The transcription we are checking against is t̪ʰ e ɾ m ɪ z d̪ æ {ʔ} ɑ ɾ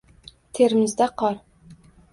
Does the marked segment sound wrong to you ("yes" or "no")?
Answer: yes